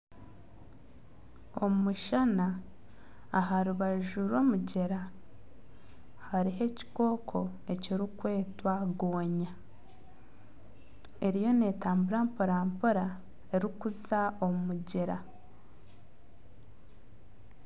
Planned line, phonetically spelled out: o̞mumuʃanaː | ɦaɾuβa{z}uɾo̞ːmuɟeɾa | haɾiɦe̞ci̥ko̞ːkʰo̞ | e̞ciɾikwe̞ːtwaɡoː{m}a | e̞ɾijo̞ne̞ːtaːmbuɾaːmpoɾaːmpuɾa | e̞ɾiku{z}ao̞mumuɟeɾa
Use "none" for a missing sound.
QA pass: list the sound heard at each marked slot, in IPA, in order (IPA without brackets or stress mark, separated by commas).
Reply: ʒ, ɲ, z